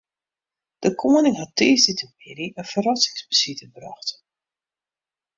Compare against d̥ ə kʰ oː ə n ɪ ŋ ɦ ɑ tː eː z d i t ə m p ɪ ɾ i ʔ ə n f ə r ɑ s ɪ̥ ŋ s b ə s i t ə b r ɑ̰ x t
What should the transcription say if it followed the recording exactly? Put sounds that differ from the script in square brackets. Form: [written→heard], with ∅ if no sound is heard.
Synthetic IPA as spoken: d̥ ə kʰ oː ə n ɪ ŋ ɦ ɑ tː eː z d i t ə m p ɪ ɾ i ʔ ə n f ə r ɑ s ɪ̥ ŋ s b ə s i t ə b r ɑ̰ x t